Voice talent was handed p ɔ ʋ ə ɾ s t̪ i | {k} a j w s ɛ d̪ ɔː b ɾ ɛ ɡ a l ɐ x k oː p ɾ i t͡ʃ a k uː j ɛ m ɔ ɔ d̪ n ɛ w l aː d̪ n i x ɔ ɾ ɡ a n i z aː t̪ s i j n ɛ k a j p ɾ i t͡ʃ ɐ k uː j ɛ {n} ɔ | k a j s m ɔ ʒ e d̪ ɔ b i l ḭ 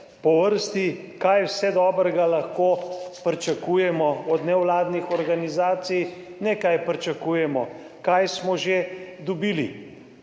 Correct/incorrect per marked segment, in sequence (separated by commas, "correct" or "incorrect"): correct, incorrect